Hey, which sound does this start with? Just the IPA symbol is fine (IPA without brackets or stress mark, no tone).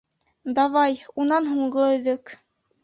d̪